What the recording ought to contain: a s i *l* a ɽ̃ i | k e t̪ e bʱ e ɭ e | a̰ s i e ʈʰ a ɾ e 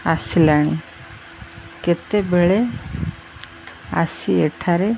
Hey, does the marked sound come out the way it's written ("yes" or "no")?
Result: yes